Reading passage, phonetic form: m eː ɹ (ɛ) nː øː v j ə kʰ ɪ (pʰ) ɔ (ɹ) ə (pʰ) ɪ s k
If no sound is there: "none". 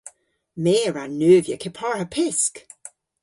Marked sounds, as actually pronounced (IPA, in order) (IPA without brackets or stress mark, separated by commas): a, pʰ, ɹ, pʰ